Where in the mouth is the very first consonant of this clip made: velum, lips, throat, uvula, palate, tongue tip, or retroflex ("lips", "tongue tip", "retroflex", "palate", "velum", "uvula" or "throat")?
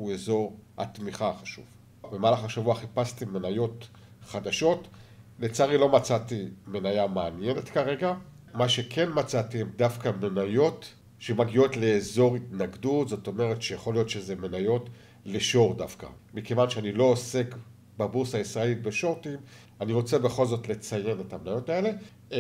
tongue tip